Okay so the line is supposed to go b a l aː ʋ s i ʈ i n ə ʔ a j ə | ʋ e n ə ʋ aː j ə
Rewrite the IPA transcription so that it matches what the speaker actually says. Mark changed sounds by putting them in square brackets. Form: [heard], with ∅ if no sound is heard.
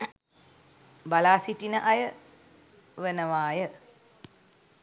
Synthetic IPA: b a l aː [∅] s i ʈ i n ə ʔ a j ə | ʋ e n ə ʋ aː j ə